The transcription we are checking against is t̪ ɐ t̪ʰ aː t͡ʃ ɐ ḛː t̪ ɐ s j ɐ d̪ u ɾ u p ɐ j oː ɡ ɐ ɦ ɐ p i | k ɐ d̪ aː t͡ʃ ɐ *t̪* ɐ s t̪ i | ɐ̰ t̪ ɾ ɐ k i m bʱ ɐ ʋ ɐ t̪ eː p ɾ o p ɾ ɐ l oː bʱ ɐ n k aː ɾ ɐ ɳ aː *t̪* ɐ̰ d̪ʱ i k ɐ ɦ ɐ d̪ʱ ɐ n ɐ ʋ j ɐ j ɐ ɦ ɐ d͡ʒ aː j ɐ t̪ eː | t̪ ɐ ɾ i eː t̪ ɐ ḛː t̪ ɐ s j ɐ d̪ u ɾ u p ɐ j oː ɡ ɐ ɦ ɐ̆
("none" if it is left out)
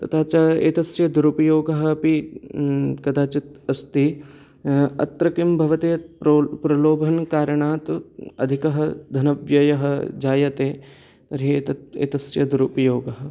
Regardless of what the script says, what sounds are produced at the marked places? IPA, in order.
t̪, t̪

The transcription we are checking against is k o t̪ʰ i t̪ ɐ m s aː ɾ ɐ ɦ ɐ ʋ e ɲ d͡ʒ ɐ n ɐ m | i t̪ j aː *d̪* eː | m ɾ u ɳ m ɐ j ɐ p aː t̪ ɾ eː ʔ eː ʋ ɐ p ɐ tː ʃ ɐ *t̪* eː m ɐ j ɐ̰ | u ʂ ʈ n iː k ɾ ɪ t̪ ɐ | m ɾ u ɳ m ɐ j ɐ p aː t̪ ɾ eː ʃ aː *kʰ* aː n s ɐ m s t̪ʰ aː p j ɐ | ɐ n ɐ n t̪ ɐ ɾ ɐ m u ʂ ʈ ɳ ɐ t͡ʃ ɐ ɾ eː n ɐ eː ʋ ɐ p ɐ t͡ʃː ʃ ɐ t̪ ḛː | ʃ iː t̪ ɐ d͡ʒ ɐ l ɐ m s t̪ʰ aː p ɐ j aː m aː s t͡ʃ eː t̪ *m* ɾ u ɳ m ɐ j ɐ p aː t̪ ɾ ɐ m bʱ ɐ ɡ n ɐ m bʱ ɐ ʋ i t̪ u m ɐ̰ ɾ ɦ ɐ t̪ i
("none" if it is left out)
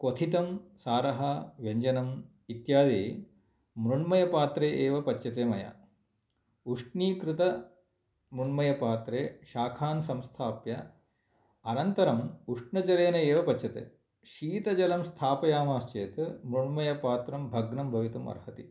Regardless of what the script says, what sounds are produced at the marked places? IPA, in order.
d̪, t̪, kʰ, m

